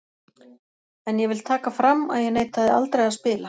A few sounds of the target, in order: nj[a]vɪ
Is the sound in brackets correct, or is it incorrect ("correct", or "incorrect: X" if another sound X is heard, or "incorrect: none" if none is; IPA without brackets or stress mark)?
incorrect: ɛ